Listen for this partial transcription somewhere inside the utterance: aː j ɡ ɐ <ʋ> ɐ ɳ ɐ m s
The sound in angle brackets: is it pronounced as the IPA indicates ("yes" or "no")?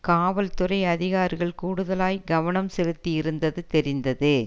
yes